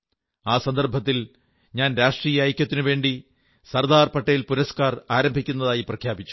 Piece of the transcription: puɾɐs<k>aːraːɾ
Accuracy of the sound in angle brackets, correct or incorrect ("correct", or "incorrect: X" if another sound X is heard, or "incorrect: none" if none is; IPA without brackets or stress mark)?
correct